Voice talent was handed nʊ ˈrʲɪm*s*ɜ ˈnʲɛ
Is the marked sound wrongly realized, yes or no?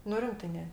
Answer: yes